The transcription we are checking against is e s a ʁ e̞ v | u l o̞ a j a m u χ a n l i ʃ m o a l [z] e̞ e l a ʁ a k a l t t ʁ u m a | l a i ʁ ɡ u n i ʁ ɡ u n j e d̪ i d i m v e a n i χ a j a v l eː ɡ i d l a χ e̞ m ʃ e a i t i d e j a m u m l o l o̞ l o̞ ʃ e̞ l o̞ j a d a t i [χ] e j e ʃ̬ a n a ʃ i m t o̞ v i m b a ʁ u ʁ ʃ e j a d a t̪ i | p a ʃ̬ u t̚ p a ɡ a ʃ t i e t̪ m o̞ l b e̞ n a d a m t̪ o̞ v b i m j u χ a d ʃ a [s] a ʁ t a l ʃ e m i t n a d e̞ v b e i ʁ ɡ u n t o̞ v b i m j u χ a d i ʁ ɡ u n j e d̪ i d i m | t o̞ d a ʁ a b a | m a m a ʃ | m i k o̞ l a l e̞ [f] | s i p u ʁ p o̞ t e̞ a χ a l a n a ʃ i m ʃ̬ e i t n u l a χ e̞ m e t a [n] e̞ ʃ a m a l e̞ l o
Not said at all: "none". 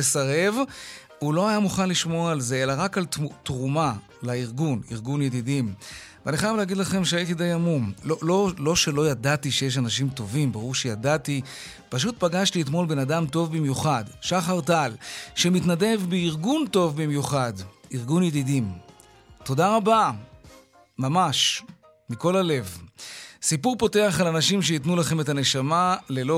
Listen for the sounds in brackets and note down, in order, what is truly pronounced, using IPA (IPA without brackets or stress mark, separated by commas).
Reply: z, ʃ, χ, v, n